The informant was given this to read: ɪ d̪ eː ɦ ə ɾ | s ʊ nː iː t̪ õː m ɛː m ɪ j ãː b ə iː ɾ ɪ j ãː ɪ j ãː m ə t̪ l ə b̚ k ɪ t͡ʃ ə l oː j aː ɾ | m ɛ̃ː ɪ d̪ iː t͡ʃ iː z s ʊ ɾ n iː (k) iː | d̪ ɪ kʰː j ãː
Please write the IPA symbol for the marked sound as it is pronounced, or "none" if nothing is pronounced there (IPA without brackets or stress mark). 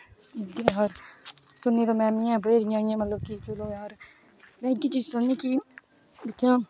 k